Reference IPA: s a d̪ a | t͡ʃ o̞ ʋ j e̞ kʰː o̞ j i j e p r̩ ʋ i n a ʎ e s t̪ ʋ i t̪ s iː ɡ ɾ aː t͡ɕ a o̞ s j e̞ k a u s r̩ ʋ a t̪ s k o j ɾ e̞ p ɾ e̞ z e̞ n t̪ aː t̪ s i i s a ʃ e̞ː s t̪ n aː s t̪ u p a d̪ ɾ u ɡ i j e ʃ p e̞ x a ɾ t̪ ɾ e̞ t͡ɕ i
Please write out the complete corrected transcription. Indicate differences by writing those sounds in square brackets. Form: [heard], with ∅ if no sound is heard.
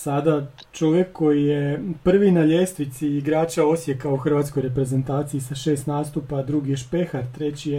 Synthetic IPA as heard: s a d̪ a | t͡ʃ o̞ ʋ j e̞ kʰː o̞ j i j e p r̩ ʋ i n a ʎ e s t̪ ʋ i t̪ s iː ɡ ɾ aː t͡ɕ a o̞ s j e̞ k a u [x] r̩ ʋ a t̪ s k o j ɾ e̞ p ɾ e̞ z e̞ n t̪ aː t̪ s i i s a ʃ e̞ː s t̪ n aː s t̪ u p a d̪ ɾ u ɡ i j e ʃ p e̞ x a ɾ t̪ ɾ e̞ t͡ɕ i